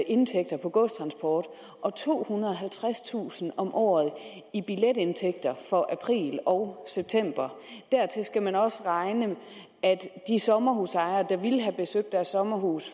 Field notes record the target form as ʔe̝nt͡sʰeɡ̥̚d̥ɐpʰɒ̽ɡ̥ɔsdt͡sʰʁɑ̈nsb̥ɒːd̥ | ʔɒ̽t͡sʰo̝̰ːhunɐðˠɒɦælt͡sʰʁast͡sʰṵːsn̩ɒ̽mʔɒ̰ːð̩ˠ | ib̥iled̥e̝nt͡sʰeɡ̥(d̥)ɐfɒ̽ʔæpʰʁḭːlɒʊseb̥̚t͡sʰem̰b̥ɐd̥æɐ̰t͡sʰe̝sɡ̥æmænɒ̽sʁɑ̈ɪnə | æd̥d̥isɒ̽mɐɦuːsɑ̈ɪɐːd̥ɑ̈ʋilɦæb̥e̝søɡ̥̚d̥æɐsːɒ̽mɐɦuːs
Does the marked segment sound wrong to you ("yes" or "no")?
no